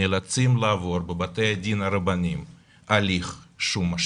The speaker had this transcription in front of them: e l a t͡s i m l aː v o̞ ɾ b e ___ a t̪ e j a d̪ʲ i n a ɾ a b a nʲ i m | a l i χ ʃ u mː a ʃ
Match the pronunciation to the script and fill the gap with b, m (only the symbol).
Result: b